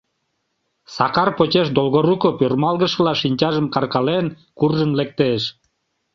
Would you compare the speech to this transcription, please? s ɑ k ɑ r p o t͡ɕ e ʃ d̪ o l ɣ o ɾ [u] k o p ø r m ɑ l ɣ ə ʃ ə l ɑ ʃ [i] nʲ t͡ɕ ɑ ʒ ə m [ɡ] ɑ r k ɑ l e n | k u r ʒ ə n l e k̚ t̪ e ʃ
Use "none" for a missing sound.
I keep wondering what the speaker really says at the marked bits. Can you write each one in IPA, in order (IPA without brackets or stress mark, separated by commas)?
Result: u, i, k